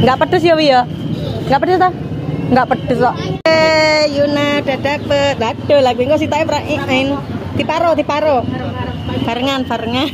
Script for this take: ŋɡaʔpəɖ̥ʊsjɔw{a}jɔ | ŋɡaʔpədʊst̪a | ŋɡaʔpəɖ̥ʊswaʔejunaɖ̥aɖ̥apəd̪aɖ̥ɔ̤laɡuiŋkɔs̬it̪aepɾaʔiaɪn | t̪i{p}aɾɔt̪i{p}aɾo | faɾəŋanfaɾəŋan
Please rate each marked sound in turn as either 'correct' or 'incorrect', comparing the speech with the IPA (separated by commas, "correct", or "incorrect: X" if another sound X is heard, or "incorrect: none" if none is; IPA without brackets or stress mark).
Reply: incorrect: i, correct, correct